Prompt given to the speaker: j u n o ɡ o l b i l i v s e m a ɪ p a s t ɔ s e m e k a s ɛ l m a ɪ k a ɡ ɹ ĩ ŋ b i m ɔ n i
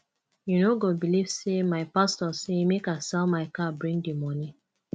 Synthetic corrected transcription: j u n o ɡ o b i l i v s e m a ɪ p a s t ɔ s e m e k a s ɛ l m a ɪ k a b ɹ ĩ ŋ d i m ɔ n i